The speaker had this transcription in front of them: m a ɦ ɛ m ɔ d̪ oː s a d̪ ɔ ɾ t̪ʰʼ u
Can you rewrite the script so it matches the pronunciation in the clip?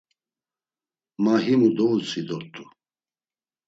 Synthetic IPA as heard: m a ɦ i m u d̪ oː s i d̪ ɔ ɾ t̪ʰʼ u